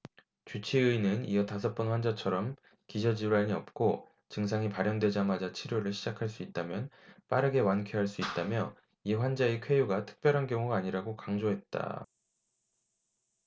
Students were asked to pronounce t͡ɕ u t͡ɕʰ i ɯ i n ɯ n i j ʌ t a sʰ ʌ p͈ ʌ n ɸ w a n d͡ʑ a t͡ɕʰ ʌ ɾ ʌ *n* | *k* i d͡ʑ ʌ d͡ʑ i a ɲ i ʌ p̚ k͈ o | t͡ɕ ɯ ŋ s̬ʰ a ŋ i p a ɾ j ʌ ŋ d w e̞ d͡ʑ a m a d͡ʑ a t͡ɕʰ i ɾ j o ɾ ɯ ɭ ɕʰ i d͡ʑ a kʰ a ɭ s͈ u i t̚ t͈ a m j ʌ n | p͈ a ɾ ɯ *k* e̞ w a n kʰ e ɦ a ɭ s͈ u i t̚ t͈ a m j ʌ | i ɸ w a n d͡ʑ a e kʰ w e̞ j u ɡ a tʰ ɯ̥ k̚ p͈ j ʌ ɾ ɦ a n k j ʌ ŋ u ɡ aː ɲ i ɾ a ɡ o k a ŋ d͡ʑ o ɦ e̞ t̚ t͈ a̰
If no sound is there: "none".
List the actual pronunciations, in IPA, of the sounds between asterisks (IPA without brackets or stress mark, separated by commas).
m, k, ɡ